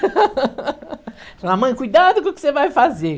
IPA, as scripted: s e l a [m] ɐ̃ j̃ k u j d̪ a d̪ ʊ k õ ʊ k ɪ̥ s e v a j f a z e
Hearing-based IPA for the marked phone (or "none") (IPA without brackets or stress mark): m